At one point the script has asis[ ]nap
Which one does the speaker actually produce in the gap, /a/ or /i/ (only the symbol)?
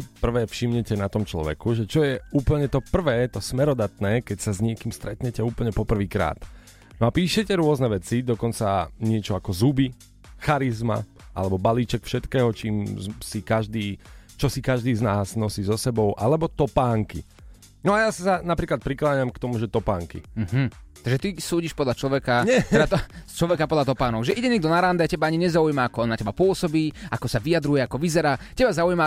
a